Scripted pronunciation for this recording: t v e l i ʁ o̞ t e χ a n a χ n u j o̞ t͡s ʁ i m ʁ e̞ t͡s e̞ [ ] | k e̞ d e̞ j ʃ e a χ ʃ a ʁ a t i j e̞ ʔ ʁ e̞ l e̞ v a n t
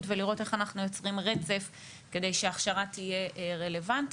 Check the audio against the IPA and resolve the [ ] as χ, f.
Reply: f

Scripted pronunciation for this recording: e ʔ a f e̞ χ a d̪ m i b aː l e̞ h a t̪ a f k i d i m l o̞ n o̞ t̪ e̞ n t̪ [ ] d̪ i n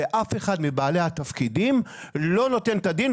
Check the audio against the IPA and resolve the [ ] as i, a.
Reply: a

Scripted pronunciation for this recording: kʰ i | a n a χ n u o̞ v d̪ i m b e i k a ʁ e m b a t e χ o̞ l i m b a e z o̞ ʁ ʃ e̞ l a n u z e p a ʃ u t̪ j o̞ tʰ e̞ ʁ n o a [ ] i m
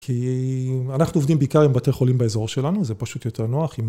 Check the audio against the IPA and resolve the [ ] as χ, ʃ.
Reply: χ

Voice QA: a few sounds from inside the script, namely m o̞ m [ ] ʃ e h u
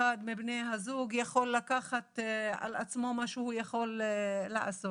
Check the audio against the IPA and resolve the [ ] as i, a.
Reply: a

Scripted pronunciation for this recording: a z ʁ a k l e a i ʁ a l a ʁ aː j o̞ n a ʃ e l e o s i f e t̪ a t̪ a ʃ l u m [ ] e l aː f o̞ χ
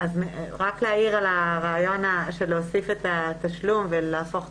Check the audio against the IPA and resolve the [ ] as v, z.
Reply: v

